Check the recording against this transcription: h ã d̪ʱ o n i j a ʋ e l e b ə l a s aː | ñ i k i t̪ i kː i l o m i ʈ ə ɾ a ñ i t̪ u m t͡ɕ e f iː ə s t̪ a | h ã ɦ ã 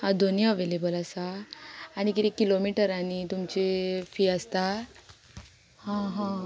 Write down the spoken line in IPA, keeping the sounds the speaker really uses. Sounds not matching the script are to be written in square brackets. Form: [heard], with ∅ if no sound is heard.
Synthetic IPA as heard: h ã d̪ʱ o n i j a ʋ e l e b ə l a s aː | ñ i k i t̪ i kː i l o m i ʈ ə ɾ a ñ i t̪ u m t͡ɕ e f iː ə s t̪ a | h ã ɦ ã